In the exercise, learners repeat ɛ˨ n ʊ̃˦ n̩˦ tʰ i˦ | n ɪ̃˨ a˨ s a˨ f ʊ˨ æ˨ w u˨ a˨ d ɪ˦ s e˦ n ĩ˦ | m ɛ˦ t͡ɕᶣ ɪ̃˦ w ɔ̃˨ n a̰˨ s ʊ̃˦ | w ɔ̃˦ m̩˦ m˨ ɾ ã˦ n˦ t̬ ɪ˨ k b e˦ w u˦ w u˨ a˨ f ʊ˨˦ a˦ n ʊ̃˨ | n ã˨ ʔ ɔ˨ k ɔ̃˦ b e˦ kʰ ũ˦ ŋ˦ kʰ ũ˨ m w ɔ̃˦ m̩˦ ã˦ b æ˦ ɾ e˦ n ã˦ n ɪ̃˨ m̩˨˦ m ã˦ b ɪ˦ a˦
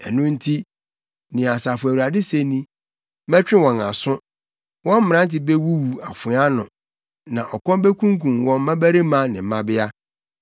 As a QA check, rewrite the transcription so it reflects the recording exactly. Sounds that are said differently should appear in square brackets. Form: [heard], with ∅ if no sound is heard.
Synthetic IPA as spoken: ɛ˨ n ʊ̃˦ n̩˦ tʰ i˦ | n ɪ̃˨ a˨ s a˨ f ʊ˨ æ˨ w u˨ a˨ d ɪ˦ s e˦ n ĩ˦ | m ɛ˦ t͡ɕᶣ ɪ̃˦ w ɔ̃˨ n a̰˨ s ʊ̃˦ | w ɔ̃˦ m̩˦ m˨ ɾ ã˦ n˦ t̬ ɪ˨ [∅] b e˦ w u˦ w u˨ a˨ f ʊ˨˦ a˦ n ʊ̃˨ | n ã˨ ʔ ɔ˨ k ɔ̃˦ b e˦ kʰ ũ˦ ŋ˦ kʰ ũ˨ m w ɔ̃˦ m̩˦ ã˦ b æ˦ ɾ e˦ [m] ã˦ n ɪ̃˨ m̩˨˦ m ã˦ b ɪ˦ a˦